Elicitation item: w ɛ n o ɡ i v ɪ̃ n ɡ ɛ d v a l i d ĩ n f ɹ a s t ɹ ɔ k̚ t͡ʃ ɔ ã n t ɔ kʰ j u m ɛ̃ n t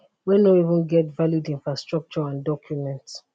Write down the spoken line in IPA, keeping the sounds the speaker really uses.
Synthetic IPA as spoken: w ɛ n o i v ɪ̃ n ɡ ɛ t v a l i d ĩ n f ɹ a s t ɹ ɔ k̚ t͡ʃ ɔ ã n d ɔ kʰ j u m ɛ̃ n t